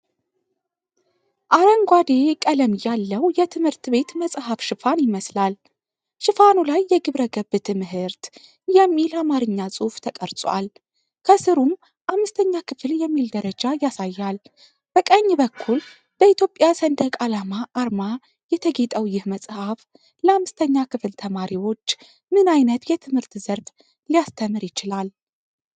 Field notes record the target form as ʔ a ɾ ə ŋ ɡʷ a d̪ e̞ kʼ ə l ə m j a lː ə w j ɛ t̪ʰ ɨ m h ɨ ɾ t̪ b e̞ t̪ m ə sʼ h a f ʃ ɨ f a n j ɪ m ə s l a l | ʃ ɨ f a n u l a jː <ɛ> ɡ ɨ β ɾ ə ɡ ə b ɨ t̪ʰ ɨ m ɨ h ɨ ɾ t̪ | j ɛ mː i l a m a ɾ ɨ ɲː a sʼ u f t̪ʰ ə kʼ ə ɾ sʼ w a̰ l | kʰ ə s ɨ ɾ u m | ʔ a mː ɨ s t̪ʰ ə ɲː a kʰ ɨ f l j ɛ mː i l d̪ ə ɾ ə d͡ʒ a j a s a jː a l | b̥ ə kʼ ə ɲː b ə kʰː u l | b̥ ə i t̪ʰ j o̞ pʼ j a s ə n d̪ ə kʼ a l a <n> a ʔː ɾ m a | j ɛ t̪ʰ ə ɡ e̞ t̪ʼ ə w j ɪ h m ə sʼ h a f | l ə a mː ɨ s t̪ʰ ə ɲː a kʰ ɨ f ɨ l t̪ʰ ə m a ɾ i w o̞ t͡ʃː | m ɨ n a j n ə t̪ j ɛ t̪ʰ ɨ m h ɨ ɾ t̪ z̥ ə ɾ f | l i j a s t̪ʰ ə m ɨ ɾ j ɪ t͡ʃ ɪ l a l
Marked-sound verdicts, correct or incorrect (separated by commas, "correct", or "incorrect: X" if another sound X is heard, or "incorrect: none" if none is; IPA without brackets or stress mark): correct, incorrect: m